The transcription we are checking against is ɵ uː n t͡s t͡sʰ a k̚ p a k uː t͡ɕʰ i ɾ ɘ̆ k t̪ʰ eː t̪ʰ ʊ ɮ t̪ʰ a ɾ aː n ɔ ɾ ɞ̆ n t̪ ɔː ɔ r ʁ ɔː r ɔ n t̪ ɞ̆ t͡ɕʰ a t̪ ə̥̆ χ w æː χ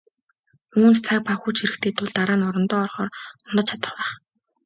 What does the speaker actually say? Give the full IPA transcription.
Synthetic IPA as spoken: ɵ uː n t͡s t͡sʰ a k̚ p a x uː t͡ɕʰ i ɾ ɘ̆ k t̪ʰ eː t̪ʰ ʊ ɮ t̪ a ɾ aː n ɔ ɾ ɞ̆ n t̪ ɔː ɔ r χ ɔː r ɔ n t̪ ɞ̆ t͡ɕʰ a t̪ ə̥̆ χ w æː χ